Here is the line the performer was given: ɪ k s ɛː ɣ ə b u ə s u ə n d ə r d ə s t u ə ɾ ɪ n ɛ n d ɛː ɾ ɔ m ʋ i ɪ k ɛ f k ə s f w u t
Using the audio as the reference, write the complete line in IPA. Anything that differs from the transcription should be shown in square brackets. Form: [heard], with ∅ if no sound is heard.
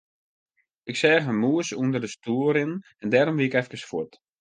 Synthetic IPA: ɪ k s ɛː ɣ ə [m] u ə s u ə n d ə r d ə s t u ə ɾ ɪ n ɛ n d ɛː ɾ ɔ m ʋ i ɪ k ɛ f k ə s f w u t